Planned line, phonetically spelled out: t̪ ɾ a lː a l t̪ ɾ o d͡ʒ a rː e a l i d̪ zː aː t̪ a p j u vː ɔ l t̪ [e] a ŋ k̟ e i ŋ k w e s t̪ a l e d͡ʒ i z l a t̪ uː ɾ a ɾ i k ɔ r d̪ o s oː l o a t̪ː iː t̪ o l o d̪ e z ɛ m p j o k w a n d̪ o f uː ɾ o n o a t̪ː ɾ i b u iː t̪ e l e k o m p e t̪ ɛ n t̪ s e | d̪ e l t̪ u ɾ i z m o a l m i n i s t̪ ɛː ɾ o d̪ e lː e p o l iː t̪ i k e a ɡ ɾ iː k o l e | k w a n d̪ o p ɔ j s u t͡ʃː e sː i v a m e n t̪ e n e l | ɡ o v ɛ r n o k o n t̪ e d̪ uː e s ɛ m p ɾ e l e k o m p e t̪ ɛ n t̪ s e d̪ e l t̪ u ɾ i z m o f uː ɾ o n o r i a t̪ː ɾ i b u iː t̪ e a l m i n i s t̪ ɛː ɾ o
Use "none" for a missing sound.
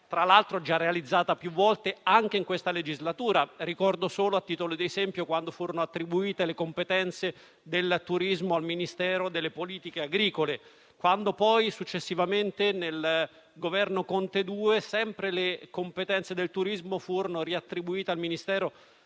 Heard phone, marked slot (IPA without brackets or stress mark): e